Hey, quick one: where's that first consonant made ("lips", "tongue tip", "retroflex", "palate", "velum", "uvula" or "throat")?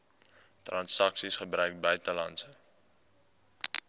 tongue tip